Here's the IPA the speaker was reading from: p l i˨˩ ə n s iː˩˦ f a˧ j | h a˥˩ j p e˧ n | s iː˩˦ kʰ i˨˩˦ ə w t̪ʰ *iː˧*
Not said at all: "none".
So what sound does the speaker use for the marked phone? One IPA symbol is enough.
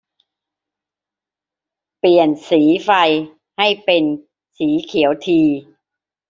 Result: iː˧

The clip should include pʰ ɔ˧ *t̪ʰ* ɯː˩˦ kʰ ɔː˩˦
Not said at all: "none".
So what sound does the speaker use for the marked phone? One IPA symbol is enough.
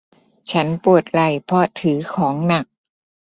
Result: t̪ʰ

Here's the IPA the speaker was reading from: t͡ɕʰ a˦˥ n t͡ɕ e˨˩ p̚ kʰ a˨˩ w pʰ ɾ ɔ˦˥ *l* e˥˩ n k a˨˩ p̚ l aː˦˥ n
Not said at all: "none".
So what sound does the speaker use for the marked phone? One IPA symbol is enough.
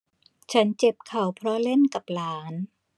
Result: l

